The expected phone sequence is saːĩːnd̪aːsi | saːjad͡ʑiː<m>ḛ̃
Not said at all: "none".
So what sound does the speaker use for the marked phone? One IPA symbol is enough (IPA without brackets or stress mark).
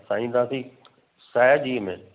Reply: m